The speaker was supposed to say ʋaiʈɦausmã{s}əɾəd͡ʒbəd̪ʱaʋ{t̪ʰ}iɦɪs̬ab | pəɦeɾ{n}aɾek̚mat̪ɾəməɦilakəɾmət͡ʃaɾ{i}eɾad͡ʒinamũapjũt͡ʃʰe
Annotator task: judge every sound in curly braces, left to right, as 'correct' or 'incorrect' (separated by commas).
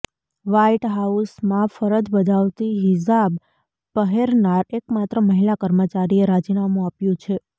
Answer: incorrect, incorrect, correct, correct